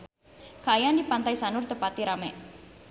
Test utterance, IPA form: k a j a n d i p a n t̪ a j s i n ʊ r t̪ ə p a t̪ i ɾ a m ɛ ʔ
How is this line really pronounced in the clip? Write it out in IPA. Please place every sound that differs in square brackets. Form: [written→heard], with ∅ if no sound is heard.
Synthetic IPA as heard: k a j a n d i p a n t̪ a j s [i→a] n ʊ r t̪ ə p a t̪ i ɾ a m ɛ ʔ